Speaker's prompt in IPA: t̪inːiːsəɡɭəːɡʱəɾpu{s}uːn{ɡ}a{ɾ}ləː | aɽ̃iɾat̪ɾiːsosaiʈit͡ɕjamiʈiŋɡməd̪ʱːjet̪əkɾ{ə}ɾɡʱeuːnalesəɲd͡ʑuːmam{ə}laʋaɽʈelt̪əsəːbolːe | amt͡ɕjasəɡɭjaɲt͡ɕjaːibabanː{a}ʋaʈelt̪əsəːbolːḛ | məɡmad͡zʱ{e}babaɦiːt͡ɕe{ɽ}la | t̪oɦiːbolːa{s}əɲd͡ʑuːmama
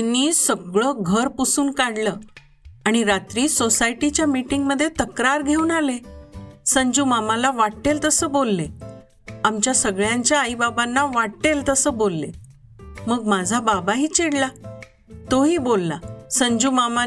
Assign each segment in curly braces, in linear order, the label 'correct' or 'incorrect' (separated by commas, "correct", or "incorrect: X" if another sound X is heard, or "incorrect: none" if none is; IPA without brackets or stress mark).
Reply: correct, incorrect: k, incorrect: ɽ, incorrect: a, incorrect: a, correct, incorrect: a, correct, correct